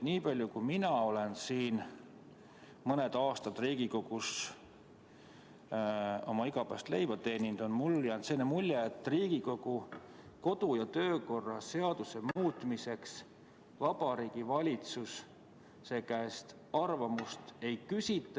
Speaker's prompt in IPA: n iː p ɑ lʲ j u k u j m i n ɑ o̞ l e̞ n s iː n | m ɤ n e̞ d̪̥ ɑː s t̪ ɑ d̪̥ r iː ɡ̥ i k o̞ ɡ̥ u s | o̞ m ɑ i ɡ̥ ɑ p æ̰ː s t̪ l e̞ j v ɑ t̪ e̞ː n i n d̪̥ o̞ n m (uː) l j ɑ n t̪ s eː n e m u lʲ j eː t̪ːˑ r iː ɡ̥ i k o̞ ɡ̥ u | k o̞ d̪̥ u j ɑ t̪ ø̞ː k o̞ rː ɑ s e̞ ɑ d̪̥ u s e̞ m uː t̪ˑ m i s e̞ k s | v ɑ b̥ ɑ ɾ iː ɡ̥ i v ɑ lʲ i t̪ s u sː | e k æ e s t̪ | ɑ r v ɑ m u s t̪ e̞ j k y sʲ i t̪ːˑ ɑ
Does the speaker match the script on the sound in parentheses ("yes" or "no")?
no